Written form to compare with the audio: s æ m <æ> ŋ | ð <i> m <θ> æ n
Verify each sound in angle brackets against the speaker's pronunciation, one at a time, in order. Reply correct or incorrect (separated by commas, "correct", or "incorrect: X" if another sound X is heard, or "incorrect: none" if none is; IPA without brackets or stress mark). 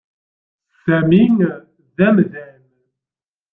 incorrect: i, incorrect: æ, incorrect: ð